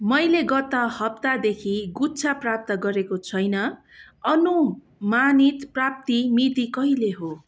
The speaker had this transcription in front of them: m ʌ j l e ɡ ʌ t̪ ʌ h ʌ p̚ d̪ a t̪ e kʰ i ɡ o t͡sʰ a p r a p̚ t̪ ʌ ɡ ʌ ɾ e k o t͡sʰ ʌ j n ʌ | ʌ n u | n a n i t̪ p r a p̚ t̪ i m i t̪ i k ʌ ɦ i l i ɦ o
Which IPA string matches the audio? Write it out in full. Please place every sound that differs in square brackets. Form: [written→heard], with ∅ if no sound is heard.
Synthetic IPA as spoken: m ʌ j l e ɡ ʌ t̪ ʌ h ʌ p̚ [d̪→t̪] a [t̪→d̪] e kʰ i ɡ [o→u] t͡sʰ a p r a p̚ t̪ ʌ ɡ ʌ ɾ e k o t͡sʰ ʌ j n ʌ | ʌ n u | [n→m] a n i t̪ p r a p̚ t̪ i m i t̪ i k ʌ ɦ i l [i→e] ɦ o